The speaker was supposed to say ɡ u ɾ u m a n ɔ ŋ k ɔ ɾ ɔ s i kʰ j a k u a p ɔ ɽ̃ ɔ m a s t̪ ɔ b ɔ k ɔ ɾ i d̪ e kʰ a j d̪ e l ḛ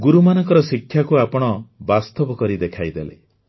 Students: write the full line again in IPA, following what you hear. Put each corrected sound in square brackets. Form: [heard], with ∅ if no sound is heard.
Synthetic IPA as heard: ɡ u ɾ u m a n ɔ ŋ k ɔ ɾ ɔ s i kʰ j a k u a p ɔ ɽ̃ ɔ [b] a s t̪ ɔ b ɔ k ɔ ɾ i d̪ e kʰ a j d̪ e l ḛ

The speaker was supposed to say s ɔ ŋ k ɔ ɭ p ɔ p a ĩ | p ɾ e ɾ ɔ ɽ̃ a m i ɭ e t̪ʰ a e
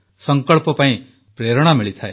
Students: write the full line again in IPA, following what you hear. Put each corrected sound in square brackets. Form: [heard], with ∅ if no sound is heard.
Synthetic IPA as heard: s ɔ ŋ k ɔ ɭ p ɔ p a ĩ | p ɾ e ɾ ɔ ɽ̃ a m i ɭ [i] t̪ʰ a e

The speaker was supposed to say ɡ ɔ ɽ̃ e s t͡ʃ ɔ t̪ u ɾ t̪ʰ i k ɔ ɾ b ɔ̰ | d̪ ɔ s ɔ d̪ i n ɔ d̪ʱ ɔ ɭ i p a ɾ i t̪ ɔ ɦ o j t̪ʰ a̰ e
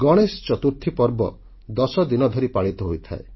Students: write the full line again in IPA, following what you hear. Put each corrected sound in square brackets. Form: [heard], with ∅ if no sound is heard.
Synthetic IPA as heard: ɡ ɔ ɽ̃ e s t͡ʃ ɔ t̪ u ɾ t̪ʰ i [p] ɔ ɾ b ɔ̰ | d̪ ɔ s ɔ d̪ i n ɔ d̪ʱ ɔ [ɾ] i p a [ɭ] i t̪ ɔ ɦ o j t̪ʰ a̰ e

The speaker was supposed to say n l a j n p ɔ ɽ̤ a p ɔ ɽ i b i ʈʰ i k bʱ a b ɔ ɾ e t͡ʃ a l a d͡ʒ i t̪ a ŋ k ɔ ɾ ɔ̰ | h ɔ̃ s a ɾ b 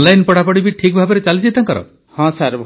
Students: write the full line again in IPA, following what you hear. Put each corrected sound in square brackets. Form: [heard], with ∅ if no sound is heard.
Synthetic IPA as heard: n l a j n p ɔ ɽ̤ a p ɔ ɽ i b i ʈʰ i k bʱ a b ɔ ɾ e t͡ʃ a l [i] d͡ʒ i t̪ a ŋ k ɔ ɾ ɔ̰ | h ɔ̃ s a ɾ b

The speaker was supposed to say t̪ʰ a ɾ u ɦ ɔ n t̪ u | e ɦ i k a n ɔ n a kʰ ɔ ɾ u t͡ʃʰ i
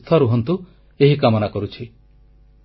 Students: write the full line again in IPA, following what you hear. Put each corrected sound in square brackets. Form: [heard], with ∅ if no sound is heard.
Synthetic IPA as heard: t̪ʰ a ɾ u ɦ ɔ n t̪ u | e ɦ i k a [m] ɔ n a [k] ɔ ɾ u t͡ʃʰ i

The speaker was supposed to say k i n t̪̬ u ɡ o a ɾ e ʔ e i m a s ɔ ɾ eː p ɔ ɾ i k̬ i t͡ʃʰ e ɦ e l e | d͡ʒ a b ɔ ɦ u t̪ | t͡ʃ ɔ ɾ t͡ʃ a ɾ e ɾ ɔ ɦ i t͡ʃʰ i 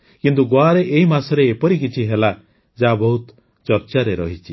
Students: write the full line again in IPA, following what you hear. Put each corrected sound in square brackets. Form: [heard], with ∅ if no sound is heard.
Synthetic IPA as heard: k i n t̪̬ u ɡ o a ɾ e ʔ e i m a s ɔ ɾ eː p ɔ ɾ i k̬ i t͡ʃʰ [i] ɦ e l [a] | d͡ʒ a b ɔ ɦ u t̪ | t͡ʃ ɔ ɾ t͡ʃ a ɾ e ɾ ɔ ɦ i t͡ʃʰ i

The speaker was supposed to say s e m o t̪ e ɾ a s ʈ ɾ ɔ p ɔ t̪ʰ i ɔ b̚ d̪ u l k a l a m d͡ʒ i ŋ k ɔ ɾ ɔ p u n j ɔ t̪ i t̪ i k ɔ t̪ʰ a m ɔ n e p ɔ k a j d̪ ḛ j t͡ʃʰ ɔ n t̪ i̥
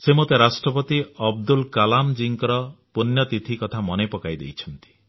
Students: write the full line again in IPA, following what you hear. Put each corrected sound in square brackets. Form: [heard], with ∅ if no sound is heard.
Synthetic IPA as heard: s e m o t̪ e ɾ a s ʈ ɾ ɔ p ɔ [t̪] i ɔ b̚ d̪ u l k a l a m d͡ʒ i ŋ k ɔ ɾ ɔ p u n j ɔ t̪ i [t̪ʰ] i k ɔ t̪ʰ a m ɔ n e p ɔ k a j d̪ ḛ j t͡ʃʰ ɔ n t̪ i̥

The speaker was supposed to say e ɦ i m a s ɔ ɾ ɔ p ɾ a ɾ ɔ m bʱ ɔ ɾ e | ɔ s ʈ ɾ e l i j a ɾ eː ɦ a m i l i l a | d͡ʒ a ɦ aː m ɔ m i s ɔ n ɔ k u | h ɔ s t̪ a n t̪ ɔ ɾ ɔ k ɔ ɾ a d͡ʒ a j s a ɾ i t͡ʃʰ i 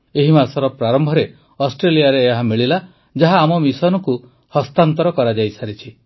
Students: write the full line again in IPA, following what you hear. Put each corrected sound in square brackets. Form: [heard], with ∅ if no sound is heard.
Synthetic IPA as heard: e ɦ i m a s ɔ ɾ ɔ p ɾ a ɾ ɔ m bʱ ɔ ɾ e | ɔ s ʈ ɾ e l i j a ɾ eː ɦ a m i [ɭ] i l a | d͡ʒ a ɦ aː m ɔ m i s ɔ n ɔ k u | h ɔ s t̪ a n t̪ ɔ ɾ ɔ k ɔ ɾ a d͡ʒ a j s a ɾ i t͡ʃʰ i

